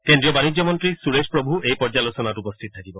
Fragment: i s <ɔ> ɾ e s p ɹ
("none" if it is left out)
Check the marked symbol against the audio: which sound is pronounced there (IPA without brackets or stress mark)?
u